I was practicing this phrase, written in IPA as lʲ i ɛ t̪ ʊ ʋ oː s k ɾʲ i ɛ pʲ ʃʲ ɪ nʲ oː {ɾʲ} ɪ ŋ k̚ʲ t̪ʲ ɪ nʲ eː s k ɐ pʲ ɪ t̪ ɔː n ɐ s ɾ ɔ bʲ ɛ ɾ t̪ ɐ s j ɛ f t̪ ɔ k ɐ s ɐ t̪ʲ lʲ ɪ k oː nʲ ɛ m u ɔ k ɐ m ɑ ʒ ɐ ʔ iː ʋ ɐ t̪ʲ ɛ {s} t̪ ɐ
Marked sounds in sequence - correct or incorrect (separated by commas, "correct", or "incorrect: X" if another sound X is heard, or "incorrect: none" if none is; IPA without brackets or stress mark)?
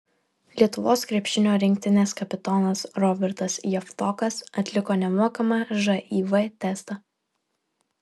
correct, correct